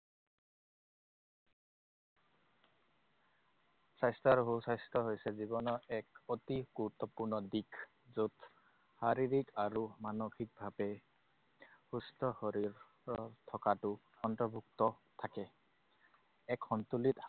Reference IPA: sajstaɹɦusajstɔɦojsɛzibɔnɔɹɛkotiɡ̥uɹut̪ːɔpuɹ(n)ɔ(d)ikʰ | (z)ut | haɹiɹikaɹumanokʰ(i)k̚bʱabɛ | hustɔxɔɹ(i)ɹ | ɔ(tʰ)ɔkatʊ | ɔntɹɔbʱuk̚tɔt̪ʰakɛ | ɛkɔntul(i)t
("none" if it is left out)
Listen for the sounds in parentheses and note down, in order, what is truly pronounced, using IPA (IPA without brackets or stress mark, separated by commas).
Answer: n, d, z, i, i, tʰ, i